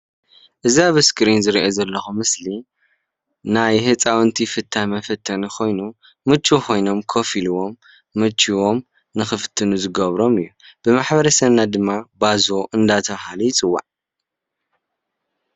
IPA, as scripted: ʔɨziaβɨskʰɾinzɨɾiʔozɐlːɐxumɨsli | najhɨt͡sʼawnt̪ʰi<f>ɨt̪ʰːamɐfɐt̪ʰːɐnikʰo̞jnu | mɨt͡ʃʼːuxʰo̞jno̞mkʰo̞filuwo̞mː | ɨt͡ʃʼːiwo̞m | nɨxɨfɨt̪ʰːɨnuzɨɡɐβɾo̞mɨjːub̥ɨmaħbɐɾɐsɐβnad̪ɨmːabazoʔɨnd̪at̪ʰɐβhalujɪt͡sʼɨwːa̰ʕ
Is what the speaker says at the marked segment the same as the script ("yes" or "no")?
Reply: yes